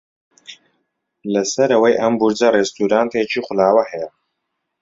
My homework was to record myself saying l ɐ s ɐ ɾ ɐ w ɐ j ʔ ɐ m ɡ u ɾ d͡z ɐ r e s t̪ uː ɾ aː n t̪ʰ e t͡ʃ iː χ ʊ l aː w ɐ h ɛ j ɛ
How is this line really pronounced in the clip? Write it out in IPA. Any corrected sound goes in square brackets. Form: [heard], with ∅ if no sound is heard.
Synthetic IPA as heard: l ɐ s ɐ ɾ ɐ w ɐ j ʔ ɐ m [b] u ɾ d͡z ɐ r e s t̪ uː ɾ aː n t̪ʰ e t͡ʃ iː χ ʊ l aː w ɐ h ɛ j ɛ